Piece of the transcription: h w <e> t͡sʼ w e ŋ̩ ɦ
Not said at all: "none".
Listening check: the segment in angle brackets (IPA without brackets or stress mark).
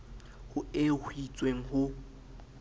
i